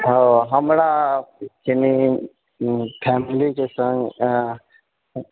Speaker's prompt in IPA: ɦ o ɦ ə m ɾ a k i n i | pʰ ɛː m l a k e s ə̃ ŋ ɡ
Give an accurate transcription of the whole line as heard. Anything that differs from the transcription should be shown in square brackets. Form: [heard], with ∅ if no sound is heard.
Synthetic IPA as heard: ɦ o ɦ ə m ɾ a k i n i | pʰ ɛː m l [i] k e s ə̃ ŋ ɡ